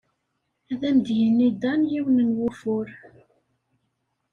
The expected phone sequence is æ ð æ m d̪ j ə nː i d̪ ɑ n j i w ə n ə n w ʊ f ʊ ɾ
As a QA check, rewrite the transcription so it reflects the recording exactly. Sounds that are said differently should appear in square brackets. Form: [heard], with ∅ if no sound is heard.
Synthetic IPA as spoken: æ ð æ m d̪ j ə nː i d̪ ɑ n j i w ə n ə n w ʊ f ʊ ɾ